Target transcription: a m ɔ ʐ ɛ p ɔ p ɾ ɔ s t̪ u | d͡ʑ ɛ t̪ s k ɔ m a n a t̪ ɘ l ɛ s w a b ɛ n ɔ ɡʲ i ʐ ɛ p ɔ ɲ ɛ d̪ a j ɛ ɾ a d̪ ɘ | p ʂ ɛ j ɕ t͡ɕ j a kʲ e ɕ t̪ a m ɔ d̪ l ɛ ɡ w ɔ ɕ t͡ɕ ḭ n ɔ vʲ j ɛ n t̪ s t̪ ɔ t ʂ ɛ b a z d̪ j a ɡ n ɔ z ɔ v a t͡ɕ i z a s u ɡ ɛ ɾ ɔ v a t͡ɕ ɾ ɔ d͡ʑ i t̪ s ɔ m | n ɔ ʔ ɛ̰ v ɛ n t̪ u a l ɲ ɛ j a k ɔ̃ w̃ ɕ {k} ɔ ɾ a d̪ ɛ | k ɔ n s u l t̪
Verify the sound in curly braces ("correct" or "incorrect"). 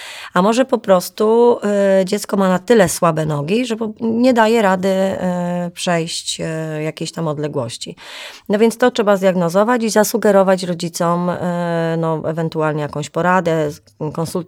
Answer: incorrect